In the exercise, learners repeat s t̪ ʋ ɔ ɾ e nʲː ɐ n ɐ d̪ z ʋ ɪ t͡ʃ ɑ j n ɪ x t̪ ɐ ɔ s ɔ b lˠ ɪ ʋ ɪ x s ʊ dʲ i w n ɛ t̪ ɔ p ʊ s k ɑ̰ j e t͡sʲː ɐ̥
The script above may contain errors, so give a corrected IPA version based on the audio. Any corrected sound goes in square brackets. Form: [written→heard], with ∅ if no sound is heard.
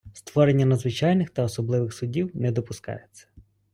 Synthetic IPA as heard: s t̪ ʋ ɔ ɾ e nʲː ɐ n ɐ d̪ z ʋ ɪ t͡ʃ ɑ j n ɪ x t̪ ɐ ɔ s ɔ b lˠ ɪ ʋ ɪ x s ʊ dʲ i w n ɛ [t̪→d̪] ɔ p ʊ s k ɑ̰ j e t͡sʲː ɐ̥